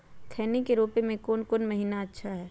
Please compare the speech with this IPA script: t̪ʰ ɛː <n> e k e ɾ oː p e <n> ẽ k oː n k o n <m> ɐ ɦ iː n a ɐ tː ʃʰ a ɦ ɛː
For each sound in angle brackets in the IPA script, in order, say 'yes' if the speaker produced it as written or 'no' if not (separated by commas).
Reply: yes, no, yes